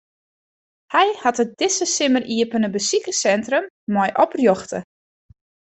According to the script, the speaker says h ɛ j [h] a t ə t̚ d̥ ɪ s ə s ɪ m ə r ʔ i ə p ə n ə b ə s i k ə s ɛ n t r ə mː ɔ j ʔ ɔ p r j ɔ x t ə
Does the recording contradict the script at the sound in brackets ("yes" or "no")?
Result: no